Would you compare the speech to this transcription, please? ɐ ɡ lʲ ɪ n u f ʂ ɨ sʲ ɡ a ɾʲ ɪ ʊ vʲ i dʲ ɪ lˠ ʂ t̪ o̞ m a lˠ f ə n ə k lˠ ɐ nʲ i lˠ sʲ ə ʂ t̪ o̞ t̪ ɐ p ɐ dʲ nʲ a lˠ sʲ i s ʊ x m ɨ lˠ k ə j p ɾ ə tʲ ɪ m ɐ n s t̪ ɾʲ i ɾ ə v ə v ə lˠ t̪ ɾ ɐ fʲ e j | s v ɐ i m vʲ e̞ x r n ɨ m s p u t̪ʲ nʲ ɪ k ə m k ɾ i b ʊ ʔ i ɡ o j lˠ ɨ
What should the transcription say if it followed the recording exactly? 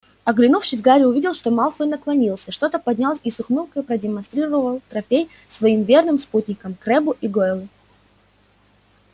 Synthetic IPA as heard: ɐ ɡ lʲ ɪ n u f ʂ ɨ sʲ ɡ a ɾʲ ɪ ʊ vʲ i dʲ ɪ lˠ ʂ t̪ o̞ m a lˠ f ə n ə k lˠ ɐ nʲ i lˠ sʲ ə ʂ t̪ o̞ t̪ ə p ɐ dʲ nʲ a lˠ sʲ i s ʊ x m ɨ lˠ k ə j p ɾ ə dʲ ɪ m ɐ n s t̪ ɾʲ i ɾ ə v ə v ə lˠ t̪ ɾ ɐ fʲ e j | s v ɐ i m vʲ e̞ r n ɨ m s p u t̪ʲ nʲ ɪ k ə m k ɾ ɛ b ʊ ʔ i ɡ o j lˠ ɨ